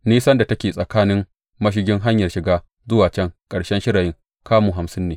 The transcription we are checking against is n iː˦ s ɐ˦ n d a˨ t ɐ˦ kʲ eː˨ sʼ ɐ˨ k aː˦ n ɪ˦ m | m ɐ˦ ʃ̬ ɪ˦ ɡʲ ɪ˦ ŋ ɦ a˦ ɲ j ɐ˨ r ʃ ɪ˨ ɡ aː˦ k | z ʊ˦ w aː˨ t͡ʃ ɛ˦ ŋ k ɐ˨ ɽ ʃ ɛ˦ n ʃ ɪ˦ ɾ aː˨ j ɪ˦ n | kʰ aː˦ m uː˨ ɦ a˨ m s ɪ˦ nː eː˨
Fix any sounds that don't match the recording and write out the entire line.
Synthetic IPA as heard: n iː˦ s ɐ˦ n d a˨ t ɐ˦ kʲ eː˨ sʼ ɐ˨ k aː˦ n ɪ˦ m | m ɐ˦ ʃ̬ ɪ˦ ɡʲ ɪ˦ ŋ ɦ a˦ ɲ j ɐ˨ r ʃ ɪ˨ ɡ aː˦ | z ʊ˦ w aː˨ t͡ʃ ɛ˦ ŋ kʼ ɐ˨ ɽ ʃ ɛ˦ n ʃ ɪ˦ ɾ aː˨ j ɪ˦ ŋ | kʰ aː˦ m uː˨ ɦ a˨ m s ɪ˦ nː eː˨